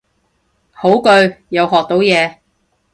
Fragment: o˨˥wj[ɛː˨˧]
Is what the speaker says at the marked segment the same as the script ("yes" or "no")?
yes